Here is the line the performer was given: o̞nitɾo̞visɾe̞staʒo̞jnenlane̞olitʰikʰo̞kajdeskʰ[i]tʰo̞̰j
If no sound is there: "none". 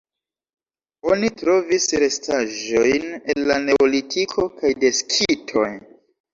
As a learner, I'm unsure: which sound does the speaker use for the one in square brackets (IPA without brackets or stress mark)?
i